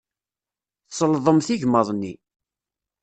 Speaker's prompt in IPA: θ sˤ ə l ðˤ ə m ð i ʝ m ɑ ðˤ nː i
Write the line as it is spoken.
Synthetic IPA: θ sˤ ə l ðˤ ə m θ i ʝ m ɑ ðˤ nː i